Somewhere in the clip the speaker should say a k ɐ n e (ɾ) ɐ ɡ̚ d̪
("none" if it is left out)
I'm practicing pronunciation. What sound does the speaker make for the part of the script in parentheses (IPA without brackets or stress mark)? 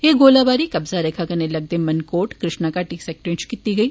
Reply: l